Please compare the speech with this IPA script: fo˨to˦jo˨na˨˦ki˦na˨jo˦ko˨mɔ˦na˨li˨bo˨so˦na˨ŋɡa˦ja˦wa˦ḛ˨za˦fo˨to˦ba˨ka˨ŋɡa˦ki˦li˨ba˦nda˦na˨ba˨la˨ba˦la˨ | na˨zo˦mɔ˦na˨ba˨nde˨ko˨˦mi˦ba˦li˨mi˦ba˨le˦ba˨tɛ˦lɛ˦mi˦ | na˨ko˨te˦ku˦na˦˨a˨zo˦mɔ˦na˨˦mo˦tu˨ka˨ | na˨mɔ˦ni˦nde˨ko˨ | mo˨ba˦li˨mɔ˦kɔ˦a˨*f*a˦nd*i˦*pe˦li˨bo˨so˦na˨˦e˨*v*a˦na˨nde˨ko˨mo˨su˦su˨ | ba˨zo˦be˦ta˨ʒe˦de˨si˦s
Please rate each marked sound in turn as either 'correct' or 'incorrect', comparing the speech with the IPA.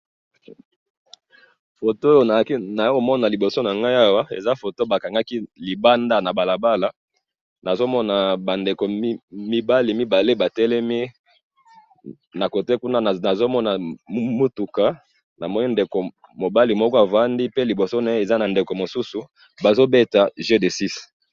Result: incorrect: v, correct, incorrect: z

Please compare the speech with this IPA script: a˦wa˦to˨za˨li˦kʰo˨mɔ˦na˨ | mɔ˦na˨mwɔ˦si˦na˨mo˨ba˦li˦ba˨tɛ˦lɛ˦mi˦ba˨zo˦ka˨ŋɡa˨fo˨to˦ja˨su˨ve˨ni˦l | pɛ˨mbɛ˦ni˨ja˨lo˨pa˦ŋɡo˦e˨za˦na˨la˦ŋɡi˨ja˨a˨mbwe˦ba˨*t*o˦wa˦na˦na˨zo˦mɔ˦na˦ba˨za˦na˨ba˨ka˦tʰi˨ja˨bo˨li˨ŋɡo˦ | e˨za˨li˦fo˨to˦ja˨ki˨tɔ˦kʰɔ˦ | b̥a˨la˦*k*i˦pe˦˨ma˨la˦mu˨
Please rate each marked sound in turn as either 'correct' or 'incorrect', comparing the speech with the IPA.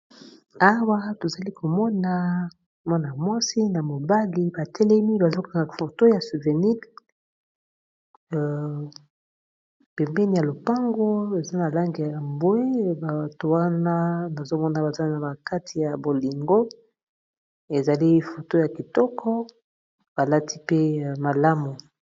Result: correct, incorrect: t

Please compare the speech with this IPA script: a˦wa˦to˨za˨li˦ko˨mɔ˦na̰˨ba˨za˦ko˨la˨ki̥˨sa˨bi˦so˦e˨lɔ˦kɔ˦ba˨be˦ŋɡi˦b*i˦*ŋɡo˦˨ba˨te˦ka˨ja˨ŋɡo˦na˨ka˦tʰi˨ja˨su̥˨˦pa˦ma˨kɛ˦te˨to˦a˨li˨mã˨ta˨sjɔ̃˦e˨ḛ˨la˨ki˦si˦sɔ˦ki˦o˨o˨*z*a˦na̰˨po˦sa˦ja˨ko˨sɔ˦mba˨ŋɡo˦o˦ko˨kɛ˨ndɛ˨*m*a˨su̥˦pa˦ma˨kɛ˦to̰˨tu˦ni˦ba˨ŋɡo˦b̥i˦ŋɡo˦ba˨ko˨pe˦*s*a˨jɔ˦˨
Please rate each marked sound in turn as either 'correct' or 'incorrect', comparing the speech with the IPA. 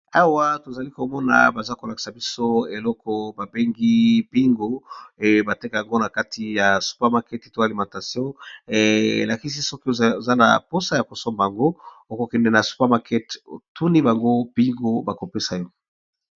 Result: correct, correct, incorrect: n, correct

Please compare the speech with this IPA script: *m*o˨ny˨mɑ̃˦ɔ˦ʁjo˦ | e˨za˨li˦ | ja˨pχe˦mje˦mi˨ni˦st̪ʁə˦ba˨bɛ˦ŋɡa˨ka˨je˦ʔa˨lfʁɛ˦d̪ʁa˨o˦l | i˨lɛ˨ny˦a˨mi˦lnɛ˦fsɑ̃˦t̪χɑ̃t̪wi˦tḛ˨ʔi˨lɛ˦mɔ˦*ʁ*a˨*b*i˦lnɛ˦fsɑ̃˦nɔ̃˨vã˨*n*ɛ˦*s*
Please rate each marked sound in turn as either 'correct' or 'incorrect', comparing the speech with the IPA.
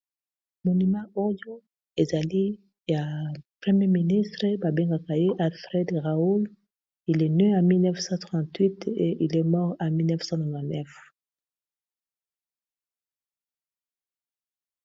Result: correct, correct, incorrect: m, correct, incorrect: f

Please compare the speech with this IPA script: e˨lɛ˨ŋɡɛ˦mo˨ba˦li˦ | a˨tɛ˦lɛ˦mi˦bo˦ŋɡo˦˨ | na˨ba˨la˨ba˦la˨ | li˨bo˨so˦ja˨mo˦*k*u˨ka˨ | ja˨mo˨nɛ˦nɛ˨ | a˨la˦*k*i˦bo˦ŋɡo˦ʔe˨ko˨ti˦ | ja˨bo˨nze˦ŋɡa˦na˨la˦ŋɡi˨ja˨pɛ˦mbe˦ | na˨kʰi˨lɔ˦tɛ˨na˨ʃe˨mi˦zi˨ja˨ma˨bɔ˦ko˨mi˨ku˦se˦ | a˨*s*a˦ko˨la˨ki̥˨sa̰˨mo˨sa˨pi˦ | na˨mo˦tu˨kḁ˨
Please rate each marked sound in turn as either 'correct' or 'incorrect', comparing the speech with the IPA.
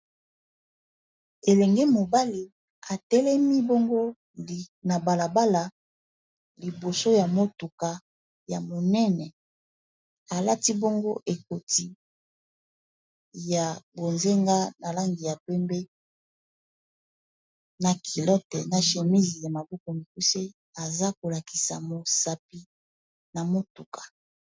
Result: incorrect: t, incorrect: t, incorrect: z

